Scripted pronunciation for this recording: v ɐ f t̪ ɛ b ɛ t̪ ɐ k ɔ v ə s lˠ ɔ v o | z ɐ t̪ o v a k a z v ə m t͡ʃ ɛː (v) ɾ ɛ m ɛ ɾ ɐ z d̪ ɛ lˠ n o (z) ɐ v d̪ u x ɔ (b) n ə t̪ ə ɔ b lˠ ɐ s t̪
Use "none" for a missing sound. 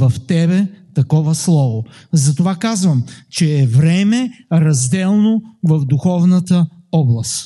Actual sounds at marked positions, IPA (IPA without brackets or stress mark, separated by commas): v, v, v